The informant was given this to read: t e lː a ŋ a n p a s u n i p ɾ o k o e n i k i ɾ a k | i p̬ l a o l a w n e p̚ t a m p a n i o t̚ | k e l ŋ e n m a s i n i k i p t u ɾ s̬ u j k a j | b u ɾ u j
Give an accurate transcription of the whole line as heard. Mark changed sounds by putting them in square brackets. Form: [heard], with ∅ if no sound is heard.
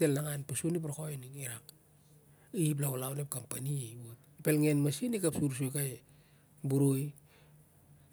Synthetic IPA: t e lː a ŋ a n p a s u n i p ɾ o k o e n i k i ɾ a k | i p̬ l a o l a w n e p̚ [k] a m p a n i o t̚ | [p] e l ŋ e n m a s i n i k [a] p [s] u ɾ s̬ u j k a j | b u ɾ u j